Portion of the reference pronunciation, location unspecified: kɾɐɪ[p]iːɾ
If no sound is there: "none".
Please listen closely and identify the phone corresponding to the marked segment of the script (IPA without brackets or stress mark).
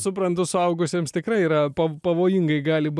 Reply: none